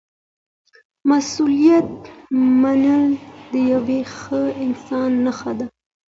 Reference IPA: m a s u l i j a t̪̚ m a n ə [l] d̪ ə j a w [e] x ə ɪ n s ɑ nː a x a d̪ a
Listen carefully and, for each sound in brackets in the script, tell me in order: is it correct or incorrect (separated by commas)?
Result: correct, correct